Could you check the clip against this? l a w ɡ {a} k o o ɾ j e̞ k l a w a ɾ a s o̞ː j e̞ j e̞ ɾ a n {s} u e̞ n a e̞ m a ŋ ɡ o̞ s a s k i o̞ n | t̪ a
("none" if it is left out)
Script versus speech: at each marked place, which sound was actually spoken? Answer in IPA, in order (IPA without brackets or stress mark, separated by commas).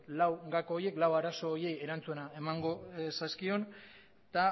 a, t͡s